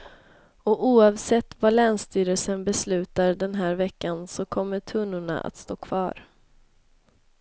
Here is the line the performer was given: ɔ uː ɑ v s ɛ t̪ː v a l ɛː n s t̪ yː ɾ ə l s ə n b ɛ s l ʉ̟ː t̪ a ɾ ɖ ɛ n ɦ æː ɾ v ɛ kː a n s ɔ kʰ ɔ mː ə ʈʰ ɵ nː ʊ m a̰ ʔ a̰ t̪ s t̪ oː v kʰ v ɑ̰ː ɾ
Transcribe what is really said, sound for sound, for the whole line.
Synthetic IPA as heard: ɔ uː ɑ v s ɛ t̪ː v a l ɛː n s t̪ yː ɾ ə l s ə n b ɛ s l ʉ̟ː t̪ a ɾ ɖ ɛ n ɦ æː ɾ v ɛ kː a n s ɔ kʰ ɔ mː ə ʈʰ ɵ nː ʊ ɳ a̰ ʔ a̰ t̪ s t̪ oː kʰ v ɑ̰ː ɾ